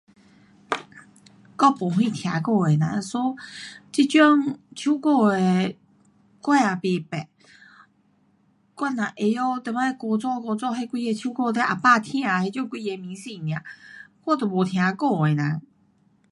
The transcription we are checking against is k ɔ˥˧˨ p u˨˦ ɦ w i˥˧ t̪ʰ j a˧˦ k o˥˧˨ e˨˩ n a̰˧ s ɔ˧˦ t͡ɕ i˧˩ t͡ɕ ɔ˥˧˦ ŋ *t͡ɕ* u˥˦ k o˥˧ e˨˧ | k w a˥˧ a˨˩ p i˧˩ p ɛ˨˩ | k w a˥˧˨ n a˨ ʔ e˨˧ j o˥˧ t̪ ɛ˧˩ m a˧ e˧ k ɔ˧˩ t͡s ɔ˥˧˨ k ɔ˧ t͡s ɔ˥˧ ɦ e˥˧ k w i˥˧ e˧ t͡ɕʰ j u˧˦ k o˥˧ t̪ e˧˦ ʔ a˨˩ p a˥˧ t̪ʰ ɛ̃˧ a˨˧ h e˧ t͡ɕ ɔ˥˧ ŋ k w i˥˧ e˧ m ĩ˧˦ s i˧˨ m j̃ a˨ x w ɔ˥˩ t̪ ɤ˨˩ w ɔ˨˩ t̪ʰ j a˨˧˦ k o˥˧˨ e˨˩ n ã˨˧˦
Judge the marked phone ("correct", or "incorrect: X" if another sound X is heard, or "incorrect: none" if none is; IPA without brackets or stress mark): incorrect: t͡ɕʰ